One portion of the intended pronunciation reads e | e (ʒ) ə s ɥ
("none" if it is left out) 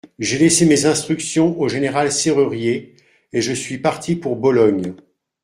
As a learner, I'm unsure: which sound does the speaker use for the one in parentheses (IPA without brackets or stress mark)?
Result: ʒ